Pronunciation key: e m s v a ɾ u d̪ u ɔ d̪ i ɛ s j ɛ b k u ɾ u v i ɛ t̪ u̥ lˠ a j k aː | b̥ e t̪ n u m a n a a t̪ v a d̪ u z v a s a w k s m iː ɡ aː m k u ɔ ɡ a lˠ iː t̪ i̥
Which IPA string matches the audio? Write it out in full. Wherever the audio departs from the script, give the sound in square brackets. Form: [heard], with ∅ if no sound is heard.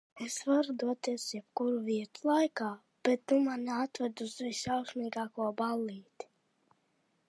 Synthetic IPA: e [∅] s v a ɾ u d̪ u ɔ [t̪] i ɛ s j ɛ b k u ɾ u v i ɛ t̪ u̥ lˠ a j k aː | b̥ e t̪ n u m a n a a t̪ v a d̪ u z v [i] s a w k s m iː ɡ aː [∅] k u ɔ [b] a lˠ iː t̪ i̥